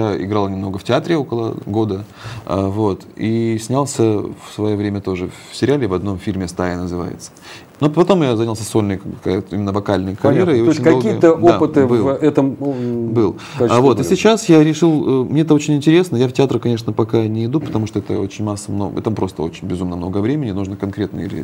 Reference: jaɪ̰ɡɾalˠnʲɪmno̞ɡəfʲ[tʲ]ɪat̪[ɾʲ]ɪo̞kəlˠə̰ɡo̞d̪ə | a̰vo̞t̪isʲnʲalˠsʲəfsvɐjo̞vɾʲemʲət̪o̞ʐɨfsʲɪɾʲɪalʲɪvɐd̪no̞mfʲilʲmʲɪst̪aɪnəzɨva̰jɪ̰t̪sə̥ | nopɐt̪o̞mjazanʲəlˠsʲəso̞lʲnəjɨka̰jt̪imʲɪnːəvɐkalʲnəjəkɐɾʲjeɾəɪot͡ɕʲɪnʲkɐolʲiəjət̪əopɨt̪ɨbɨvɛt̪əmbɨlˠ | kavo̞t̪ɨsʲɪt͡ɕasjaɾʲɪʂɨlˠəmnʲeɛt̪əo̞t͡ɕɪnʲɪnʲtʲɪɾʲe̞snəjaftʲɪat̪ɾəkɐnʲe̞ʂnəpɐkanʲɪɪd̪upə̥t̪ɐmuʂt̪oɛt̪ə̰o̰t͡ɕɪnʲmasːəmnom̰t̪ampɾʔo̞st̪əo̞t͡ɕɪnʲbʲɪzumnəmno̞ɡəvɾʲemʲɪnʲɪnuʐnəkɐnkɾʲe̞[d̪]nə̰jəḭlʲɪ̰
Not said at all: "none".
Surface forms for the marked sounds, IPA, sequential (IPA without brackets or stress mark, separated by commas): tʲ, ɾʲ, t̪